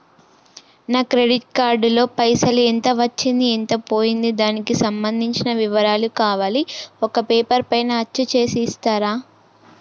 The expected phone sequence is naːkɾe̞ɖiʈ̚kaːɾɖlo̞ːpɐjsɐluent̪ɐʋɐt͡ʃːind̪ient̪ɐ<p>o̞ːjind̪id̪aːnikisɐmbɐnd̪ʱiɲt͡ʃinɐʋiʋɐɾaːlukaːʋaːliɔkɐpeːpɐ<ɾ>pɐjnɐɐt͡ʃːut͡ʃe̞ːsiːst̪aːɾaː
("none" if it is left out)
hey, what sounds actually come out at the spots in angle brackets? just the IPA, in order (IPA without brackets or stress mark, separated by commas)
p, ɾ